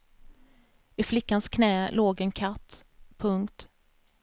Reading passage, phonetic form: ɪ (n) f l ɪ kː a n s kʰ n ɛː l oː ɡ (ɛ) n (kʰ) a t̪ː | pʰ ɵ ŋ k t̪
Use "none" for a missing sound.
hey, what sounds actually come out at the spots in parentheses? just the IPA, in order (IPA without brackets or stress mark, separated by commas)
none, ɛ, kʰ